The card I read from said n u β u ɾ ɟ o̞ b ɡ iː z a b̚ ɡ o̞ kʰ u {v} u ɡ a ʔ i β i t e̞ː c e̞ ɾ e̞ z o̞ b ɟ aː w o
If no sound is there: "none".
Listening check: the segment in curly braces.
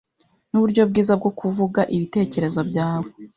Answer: v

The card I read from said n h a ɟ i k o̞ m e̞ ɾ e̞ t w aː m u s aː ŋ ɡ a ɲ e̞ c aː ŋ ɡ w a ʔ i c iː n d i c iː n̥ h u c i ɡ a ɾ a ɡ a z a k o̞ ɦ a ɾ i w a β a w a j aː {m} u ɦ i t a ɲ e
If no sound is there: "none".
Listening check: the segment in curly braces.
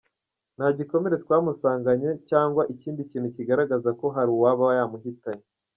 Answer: m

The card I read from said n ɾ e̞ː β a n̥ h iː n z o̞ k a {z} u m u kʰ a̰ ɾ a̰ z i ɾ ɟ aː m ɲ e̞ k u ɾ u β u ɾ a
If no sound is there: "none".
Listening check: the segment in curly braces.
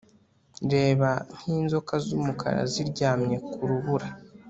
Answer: z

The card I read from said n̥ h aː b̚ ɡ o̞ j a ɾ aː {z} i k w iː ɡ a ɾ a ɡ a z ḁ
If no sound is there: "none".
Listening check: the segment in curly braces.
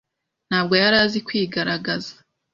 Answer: z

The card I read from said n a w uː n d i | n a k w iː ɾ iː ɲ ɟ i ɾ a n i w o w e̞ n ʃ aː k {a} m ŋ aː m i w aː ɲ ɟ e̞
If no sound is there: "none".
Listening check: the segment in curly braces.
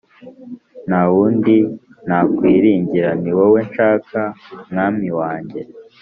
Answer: a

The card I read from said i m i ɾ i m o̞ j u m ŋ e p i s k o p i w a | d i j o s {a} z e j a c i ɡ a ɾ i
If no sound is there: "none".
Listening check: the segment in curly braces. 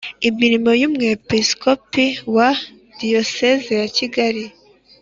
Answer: e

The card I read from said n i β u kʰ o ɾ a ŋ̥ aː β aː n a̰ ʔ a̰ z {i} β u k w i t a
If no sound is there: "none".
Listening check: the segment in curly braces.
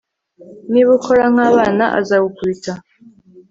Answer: a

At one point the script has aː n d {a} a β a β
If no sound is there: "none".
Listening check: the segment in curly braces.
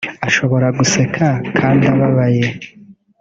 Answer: i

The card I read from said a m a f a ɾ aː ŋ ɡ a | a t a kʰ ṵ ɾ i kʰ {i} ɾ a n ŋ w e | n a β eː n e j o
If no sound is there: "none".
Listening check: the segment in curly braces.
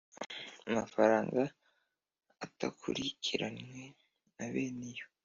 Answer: i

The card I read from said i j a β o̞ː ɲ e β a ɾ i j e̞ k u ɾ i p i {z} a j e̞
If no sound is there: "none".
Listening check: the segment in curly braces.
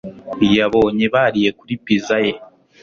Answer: z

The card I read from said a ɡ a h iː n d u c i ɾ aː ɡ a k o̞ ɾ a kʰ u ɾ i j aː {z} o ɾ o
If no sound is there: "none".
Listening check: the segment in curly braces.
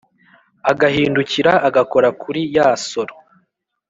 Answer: s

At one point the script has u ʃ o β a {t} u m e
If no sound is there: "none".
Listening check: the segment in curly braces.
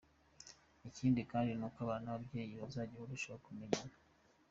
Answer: k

